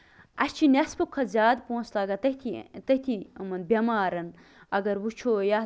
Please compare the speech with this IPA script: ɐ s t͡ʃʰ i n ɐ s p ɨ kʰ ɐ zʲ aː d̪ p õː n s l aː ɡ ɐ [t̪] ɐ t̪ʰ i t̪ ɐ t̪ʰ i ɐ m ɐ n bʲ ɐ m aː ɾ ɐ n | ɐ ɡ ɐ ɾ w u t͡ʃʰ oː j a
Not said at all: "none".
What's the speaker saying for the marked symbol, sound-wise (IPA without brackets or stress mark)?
t̪